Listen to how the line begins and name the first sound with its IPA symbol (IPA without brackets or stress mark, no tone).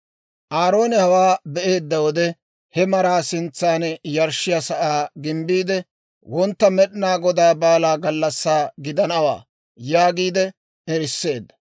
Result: ʔ